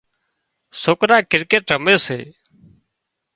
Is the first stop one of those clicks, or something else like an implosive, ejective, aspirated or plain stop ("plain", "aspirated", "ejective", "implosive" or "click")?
plain